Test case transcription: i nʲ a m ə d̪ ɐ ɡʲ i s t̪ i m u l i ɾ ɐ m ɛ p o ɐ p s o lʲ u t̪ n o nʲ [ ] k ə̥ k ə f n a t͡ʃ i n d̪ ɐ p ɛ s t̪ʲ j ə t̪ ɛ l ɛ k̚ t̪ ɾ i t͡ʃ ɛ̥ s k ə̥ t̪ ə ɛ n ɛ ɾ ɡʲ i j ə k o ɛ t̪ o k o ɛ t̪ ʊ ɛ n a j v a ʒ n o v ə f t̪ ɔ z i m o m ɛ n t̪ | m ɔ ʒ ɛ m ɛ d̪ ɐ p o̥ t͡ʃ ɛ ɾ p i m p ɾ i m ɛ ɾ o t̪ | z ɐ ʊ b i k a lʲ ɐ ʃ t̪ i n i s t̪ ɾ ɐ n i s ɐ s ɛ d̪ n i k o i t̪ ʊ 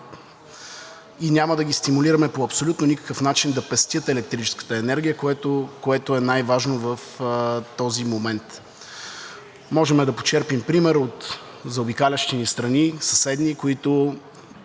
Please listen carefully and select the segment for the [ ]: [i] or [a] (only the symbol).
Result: i